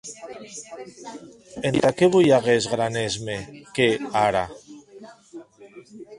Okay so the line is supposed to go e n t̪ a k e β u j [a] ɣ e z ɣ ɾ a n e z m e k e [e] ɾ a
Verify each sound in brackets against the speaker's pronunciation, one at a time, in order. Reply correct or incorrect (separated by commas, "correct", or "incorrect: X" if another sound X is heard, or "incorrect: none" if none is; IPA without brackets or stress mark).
correct, incorrect: a